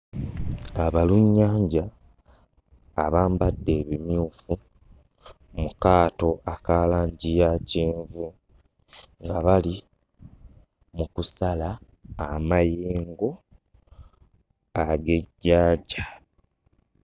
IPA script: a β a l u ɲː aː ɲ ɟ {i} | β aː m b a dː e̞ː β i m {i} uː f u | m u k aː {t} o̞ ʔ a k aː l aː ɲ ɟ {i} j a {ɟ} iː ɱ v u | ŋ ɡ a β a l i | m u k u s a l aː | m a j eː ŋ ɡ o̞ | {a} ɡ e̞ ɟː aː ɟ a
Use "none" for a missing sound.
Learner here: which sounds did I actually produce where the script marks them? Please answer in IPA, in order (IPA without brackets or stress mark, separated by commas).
a, j, t, i, c, a